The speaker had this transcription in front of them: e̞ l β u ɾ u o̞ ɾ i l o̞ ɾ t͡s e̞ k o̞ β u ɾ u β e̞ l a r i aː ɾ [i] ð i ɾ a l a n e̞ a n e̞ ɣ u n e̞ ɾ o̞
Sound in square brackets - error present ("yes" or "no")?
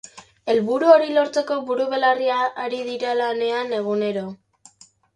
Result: no